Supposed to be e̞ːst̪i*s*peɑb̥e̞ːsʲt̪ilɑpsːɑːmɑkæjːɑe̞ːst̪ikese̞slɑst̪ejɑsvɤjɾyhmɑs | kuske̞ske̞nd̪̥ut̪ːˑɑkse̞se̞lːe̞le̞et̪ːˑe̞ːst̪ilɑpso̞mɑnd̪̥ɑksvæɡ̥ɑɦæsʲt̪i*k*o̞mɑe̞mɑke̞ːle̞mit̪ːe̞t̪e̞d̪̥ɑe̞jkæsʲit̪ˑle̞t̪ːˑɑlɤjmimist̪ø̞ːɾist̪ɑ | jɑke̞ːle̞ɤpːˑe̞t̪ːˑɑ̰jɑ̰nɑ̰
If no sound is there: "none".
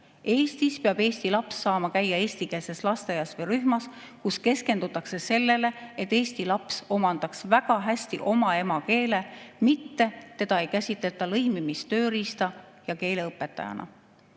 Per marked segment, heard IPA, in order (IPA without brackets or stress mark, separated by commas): s, ʔ